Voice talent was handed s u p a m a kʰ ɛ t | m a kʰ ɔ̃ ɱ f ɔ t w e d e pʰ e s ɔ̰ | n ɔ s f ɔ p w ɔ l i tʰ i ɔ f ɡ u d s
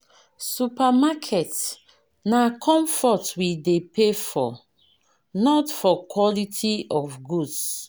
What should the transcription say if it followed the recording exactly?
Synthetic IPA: s u p a m a kʰ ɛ t | n a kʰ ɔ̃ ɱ f ɔ t w i d e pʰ e f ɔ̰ | n ɔ t f ɔ k w ɔ l i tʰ i ɔ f ɡ u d s